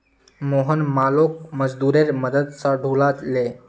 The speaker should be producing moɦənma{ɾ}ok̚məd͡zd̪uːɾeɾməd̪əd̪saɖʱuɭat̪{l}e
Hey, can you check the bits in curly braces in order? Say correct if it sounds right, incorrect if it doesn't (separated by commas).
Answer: incorrect, correct